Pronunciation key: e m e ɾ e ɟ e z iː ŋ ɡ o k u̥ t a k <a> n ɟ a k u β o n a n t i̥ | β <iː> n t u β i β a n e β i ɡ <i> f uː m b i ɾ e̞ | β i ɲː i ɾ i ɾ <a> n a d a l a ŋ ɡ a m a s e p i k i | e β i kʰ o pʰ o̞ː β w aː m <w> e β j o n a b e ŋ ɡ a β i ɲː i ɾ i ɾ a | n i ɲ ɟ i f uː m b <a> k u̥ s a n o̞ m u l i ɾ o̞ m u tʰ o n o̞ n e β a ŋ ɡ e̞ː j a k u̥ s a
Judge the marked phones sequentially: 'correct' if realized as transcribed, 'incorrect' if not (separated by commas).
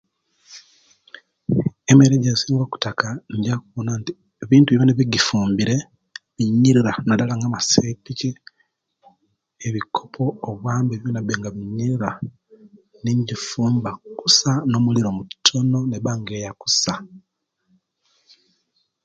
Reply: correct, correct, correct, correct, incorrect, correct